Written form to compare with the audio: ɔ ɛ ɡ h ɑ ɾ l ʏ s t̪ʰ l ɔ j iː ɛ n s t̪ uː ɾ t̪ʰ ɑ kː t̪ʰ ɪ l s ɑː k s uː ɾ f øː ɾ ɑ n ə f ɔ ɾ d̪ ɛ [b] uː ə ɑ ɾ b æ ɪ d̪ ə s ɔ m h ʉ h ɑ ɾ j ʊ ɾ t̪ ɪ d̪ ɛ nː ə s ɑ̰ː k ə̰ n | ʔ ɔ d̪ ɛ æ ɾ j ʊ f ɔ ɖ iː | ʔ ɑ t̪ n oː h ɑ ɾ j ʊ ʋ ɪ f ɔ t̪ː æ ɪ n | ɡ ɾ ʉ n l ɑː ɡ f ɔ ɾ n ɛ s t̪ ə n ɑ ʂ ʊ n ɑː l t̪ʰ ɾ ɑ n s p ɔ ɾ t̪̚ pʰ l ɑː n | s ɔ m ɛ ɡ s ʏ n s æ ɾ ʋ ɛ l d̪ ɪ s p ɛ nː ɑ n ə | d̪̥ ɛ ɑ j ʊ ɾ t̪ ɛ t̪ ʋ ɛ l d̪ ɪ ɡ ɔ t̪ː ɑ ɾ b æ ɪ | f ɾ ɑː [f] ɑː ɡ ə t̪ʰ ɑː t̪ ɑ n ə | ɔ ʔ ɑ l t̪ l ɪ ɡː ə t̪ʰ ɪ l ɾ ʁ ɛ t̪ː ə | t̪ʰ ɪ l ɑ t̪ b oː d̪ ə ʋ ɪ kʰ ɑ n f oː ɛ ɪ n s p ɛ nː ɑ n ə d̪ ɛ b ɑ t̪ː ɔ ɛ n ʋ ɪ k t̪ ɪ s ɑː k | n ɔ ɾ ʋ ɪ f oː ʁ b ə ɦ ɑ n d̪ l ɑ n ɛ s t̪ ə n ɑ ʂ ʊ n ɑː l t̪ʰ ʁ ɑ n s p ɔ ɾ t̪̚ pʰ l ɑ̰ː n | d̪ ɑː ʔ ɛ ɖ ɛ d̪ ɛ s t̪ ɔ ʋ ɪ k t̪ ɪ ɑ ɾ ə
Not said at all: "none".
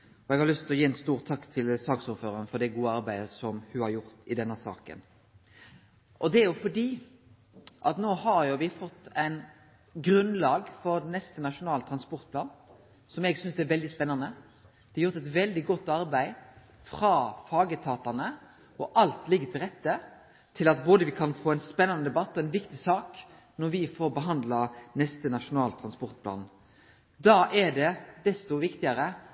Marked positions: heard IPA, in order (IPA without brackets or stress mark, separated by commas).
ɡ, f